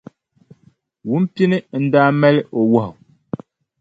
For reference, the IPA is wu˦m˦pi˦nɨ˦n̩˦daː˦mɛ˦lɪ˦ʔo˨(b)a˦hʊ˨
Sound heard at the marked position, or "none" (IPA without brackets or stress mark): w